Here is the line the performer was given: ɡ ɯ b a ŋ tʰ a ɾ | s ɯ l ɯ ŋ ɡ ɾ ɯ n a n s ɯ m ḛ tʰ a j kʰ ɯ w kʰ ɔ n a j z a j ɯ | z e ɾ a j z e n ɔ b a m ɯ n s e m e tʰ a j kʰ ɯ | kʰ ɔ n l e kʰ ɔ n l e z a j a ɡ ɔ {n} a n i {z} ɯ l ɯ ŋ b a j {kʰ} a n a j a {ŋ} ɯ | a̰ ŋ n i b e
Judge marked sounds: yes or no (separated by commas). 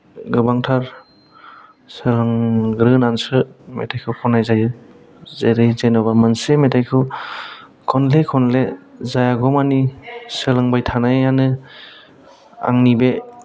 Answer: no, no, no, no